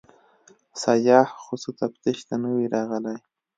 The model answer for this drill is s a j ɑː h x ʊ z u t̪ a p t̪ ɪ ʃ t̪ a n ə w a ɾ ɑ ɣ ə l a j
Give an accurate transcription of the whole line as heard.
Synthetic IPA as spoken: s a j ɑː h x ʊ s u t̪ a p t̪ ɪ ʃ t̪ a n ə w i ɾ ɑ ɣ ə l a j